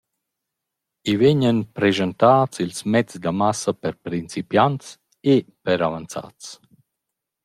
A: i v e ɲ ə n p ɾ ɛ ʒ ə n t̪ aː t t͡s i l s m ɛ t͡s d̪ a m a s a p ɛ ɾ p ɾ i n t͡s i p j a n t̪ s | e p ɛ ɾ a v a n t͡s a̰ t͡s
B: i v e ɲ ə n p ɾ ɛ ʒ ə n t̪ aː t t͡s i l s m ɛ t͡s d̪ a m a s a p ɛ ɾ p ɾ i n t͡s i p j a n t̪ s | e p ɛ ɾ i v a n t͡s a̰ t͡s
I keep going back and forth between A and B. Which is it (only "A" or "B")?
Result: A